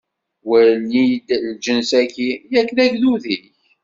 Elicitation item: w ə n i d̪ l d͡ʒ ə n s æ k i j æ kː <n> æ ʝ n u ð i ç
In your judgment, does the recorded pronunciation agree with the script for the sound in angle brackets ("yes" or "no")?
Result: yes